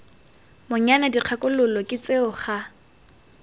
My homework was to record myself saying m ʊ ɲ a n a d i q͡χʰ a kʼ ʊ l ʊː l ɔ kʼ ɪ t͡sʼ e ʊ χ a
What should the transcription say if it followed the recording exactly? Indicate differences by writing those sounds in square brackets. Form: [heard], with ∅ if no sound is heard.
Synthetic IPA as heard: m ʊ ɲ a n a d i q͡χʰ a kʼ ʊ l [ʊ] l ɔ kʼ ɪ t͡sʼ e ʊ χ a